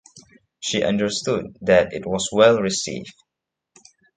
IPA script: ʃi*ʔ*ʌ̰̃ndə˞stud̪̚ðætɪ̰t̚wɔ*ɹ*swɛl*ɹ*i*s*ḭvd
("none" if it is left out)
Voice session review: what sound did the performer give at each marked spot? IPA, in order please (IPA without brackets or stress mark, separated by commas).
ʔ, none, ɹ, s